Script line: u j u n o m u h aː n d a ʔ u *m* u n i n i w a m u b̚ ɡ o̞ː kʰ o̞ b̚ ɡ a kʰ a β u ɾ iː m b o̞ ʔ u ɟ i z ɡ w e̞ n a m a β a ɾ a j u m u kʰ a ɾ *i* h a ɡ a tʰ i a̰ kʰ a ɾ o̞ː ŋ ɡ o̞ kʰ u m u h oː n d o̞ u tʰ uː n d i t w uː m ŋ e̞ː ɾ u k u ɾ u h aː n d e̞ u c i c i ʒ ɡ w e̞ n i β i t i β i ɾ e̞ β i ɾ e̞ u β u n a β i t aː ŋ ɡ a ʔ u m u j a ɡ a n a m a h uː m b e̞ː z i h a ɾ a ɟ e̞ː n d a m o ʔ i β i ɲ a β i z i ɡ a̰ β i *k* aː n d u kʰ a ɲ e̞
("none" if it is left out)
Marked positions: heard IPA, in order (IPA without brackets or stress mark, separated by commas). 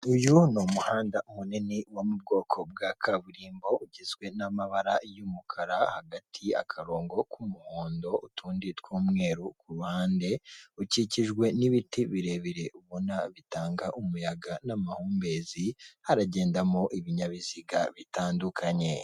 m, a, t